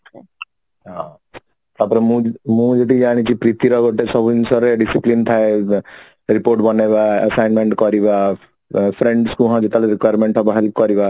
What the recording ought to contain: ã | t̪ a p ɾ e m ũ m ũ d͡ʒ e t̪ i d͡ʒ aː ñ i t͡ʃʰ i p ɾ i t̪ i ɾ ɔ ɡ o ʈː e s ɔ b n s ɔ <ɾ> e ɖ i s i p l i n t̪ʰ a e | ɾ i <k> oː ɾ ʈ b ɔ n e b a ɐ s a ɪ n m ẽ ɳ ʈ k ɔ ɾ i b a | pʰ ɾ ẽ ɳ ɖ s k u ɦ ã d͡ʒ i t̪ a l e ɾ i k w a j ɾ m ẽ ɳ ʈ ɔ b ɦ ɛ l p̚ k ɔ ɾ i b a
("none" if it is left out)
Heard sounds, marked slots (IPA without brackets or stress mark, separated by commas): ɾ, p